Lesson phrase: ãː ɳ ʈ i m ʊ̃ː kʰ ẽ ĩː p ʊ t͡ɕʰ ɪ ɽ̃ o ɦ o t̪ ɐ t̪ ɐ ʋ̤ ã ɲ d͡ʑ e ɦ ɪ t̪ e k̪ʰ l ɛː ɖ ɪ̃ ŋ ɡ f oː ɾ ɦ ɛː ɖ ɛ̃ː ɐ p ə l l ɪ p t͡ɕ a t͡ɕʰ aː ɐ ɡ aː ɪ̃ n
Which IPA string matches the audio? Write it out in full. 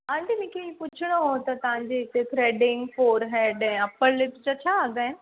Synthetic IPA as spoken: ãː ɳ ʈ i m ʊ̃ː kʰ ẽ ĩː p ʊ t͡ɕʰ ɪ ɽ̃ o ɦ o t̪ ɐ t̪ ɐ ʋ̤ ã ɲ d͡ʑ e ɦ ɪ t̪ e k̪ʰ ɾ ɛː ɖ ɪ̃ ŋ ɡ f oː ɾ ɦ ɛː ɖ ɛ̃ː ɐ p ə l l ɪ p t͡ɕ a t͡ɕʰ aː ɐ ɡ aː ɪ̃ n